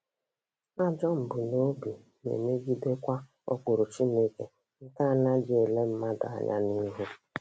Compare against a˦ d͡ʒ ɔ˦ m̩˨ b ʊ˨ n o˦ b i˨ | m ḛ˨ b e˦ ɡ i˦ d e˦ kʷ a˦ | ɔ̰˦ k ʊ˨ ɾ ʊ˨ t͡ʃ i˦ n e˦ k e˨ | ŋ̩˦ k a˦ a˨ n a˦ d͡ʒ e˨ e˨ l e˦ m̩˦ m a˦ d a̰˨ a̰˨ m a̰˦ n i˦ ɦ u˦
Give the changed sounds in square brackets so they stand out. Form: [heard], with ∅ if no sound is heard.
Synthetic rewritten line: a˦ d͡ʒ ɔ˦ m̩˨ b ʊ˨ n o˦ b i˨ | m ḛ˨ [m] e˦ ɡ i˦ d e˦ kʷ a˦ | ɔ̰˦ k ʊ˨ ɾ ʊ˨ t͡ʃ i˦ n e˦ k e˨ | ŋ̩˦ k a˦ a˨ n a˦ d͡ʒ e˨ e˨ l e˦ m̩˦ m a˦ d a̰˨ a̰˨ [ɲ] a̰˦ n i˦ ɦ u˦